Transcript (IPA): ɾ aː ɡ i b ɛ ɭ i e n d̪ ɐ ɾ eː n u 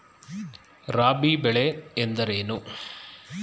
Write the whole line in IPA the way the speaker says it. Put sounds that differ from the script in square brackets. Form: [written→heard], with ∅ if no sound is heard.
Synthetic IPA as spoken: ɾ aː [ɡ→b] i b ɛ ɭ [i→e] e n d̪ ɐ ɾ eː n u